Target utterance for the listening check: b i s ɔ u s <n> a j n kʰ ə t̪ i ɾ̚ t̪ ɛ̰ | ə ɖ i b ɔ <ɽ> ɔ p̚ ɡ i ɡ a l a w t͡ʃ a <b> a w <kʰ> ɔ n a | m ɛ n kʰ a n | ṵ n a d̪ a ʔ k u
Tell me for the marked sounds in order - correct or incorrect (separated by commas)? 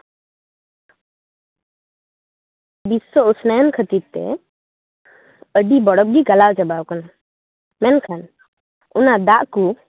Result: correct, correct, correct, incorrect